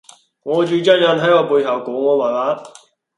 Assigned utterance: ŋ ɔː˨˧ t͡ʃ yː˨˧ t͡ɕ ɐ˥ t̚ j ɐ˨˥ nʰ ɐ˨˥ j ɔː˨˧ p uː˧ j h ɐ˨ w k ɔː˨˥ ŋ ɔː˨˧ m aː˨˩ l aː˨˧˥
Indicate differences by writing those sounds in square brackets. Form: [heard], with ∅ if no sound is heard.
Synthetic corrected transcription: ŋ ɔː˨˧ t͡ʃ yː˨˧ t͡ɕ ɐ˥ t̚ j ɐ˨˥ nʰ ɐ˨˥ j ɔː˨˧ p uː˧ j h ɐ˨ w k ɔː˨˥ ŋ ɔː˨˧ m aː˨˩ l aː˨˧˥